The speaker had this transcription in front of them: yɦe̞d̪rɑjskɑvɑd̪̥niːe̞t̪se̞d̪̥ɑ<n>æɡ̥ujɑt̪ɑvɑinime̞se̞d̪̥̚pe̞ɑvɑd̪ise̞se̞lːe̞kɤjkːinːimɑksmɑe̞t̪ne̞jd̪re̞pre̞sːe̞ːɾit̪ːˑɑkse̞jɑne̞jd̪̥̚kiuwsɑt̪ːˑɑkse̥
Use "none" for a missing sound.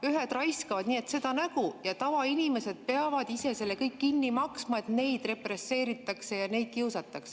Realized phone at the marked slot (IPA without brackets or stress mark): n